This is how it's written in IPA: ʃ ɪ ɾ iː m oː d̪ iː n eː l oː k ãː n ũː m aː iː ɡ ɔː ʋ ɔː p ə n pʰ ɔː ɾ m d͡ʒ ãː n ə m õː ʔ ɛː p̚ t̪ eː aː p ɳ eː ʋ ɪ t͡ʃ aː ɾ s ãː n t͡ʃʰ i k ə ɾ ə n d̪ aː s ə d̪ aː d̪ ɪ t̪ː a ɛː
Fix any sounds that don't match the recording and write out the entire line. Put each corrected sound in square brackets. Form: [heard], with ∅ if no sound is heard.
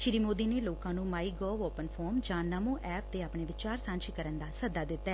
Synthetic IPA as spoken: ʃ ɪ ɾ iː m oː d̪ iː n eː l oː k ãː n ũː m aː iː ɡ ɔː ʋ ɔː p ə n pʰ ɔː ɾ m d͡ʒ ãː n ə m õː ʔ ɛː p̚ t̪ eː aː p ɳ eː ʋ ɪ t͡ʃ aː ɾ s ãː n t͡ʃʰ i k ə ɾ ə n d̪ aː s ə d̪ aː d̪ ɪ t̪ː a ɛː